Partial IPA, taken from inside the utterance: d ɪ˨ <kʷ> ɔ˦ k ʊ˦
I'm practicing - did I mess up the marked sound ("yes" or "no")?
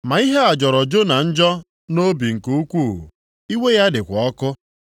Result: no